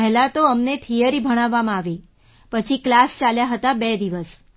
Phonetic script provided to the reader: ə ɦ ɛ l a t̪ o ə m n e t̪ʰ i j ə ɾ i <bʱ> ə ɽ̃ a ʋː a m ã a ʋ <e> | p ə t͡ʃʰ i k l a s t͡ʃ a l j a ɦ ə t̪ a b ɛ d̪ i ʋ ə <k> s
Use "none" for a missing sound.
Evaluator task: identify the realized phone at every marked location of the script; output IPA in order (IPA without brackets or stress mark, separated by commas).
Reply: bʱ, i, none